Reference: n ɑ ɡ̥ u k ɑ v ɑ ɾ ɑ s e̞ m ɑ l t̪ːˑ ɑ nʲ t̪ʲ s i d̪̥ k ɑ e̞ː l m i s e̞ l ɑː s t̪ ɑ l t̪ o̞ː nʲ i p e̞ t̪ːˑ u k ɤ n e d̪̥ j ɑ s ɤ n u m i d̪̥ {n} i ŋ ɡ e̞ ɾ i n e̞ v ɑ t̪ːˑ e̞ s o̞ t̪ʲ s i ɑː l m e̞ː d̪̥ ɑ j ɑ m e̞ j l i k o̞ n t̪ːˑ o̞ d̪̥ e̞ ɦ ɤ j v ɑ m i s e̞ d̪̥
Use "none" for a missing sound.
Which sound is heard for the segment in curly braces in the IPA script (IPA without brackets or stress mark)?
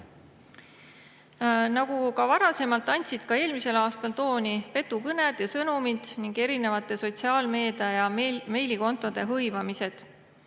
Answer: n